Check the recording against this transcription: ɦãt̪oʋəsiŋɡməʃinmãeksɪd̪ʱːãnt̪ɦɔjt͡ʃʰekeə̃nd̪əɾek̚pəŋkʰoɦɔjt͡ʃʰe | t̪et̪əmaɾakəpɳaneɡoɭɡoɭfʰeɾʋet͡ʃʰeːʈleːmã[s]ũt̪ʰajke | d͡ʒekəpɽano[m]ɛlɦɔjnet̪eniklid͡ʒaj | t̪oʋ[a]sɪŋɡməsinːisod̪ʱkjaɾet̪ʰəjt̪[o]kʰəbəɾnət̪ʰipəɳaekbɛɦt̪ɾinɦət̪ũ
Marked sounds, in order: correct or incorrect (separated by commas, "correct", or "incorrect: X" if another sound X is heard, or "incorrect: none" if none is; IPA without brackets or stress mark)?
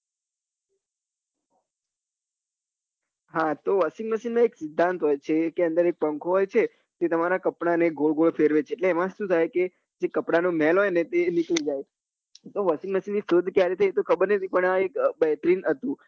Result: incorrect: ʃ, correct, incorrect: ə, correct